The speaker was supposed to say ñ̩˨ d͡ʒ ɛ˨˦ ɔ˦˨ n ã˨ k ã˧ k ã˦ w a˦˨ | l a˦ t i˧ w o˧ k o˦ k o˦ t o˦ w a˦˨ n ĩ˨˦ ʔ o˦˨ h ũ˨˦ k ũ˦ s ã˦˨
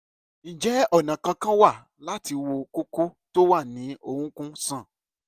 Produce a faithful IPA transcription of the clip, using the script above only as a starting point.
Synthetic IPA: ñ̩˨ d͡ʒ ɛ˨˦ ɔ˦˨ n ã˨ k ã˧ k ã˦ w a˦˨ | l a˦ t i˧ w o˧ k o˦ k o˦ t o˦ w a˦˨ n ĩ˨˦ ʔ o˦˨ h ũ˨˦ k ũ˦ s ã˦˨